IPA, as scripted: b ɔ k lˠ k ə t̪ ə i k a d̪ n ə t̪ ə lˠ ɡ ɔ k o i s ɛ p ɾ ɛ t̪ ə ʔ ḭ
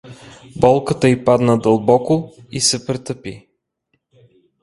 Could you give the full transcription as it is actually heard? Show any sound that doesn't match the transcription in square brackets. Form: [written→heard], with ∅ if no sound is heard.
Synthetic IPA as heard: b ɔ [k→∅] lˠ k ə t̪ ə i [k→p] a d̪ n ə [t̪→d̪] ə lˠ [ɡ→b] ɔ k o i s ɛ p ɾ ɛ t̪ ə [ʔ→p] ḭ